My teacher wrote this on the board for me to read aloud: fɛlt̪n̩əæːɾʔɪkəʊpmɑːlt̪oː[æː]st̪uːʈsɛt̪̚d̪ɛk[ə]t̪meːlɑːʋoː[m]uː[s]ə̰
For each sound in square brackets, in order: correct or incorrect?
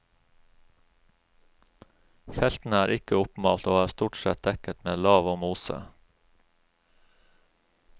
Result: correct, correct, correct, correct

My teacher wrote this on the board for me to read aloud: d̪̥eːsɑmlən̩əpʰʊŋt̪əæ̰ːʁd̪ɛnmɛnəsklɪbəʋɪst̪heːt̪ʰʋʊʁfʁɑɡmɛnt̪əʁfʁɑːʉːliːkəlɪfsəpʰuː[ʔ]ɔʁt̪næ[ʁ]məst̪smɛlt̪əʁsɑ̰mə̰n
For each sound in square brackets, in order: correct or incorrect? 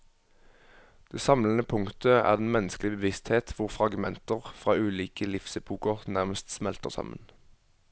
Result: incorrect: k, correct

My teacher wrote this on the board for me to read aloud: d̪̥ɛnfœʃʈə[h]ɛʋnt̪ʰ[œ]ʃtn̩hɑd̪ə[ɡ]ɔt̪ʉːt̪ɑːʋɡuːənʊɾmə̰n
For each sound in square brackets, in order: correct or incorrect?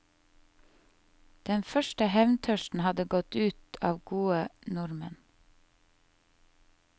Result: correct, correct, correct

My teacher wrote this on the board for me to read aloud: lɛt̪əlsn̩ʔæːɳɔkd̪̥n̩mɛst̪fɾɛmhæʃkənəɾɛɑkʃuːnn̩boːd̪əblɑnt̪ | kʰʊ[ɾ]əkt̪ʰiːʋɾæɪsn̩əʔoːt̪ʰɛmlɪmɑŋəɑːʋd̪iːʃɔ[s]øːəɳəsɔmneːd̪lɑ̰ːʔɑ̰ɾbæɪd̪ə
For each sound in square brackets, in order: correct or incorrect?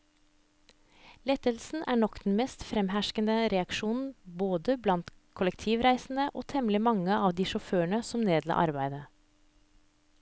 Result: incorrect: l, incorrect: f

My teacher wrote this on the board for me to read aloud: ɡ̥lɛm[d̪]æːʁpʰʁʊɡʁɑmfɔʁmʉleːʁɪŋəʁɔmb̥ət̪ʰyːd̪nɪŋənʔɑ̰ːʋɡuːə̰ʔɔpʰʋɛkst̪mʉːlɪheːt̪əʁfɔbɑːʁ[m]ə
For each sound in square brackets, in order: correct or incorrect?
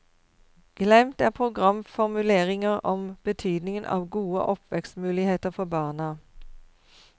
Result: incorrect: t̪, incorrect: n

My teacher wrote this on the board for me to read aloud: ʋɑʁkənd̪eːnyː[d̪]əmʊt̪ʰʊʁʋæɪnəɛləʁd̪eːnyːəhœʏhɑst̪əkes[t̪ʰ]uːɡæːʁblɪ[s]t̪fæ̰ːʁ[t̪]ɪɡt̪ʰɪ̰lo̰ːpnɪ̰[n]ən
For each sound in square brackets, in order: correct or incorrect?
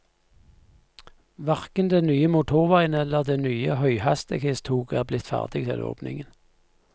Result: incorrect: none, correct, incorrect: none, incorrect: d̪, incorrect: ŋ

